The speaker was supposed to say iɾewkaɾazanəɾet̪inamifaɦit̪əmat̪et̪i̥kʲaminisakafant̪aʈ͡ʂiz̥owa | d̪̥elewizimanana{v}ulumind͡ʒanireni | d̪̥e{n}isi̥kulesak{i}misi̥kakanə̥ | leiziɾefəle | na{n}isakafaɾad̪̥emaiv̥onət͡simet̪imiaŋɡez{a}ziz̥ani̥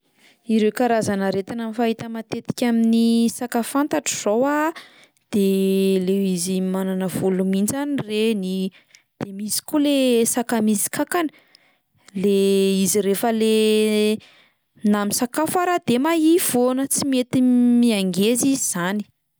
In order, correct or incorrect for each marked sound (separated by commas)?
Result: correct, incorrect, incorrect, incorrect, incorrect